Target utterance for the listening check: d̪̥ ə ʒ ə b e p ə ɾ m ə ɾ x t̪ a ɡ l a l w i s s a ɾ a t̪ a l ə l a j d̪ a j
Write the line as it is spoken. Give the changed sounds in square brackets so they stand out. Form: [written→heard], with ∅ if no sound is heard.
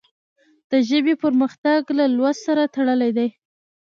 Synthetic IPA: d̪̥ ə ʒ ə b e p ə ɾ m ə [ɾ→∅] x t̪ a ɡ l a l w [i→a] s s a ɾ a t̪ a [l→ɽ] ə l a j d̪ a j